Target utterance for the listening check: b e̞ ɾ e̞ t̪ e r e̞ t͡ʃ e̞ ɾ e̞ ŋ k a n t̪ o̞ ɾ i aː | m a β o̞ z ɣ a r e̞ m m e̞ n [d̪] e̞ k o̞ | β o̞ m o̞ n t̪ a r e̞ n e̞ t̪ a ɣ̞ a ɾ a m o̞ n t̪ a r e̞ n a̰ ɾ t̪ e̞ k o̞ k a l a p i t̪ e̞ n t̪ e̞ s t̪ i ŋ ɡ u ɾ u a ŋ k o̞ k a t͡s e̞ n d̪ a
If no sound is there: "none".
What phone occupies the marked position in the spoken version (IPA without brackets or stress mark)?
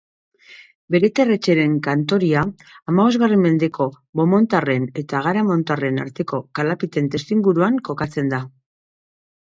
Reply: d̪